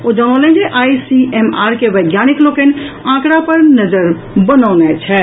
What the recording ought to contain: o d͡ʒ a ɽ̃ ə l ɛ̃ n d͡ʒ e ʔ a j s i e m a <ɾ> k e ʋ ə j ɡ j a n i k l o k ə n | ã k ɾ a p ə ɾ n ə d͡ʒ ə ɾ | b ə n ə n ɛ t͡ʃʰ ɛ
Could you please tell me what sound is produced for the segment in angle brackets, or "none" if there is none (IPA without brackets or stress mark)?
ɾ